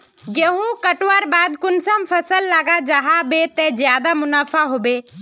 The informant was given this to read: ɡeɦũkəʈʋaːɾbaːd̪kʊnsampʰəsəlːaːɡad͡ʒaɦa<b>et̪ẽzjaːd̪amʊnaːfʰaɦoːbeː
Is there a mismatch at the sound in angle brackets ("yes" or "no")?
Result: no